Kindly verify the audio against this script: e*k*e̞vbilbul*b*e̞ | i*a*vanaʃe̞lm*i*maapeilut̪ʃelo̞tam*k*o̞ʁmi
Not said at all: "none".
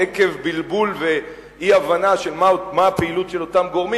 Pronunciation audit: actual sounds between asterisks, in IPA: k, v, a, a, ɡ

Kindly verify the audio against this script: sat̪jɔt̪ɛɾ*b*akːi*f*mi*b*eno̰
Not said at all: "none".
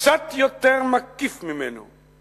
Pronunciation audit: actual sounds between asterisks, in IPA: m, f, m

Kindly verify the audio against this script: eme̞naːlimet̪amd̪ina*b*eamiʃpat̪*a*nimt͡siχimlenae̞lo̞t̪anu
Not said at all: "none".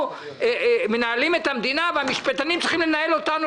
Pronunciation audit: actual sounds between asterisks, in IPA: v, a

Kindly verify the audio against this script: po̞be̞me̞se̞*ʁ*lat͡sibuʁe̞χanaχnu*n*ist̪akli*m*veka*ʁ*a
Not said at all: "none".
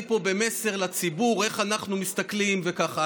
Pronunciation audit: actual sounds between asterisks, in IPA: ʁ, m, m, χ

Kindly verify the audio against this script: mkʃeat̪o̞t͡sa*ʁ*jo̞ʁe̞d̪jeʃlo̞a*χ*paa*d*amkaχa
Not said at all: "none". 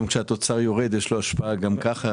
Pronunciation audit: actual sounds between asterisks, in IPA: ʁ, ʃ, ɡ

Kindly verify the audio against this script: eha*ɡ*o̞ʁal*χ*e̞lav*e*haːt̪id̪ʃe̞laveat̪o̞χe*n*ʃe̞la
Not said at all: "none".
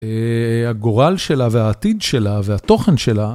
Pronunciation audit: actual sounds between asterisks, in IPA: ɡ, ʃ, e, n

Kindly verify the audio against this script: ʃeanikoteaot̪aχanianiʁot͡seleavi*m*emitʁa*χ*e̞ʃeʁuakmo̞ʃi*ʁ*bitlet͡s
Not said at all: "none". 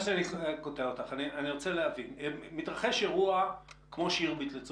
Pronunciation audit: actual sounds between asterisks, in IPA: n, χ, ʁ

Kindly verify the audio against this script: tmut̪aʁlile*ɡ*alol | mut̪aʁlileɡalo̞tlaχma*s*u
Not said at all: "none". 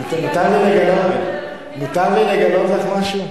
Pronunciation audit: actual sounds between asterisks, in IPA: ɡ, ʃ

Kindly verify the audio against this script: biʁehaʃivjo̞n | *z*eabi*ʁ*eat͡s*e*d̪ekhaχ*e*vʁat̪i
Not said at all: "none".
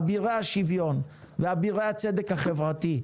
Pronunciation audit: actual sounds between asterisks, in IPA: v, ʁ, e, e

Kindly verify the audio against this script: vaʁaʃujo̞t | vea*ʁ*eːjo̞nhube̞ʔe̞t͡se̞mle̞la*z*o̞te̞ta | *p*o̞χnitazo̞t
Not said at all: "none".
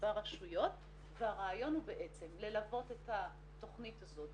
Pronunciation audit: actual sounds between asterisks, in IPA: ʁ, v, t

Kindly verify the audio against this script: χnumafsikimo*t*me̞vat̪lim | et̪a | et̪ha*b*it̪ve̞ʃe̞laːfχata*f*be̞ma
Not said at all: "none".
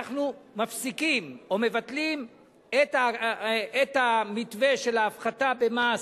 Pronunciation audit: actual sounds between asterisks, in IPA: none, m, none

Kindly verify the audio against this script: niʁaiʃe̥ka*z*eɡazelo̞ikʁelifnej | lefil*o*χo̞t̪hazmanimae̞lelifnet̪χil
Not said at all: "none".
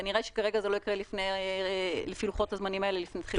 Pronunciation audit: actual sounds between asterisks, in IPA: ʁ, u

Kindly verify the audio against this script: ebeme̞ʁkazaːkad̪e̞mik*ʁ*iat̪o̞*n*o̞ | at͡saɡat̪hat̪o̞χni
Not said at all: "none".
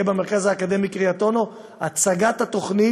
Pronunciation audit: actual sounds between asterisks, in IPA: ʁ, n

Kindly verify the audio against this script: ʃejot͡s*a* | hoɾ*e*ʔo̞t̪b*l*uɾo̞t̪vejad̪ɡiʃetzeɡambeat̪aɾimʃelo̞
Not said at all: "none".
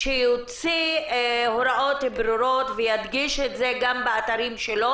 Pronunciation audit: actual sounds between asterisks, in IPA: i, a, ɾ

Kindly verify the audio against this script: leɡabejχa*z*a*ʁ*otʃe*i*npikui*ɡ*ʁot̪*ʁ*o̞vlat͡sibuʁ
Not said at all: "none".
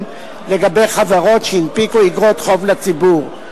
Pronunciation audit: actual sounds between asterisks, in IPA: v, ʁ, i, ɡ, χ

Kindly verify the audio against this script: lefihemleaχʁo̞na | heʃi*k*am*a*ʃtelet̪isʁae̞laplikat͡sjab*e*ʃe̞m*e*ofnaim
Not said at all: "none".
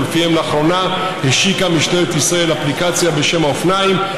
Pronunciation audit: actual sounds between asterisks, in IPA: k, i, e, a

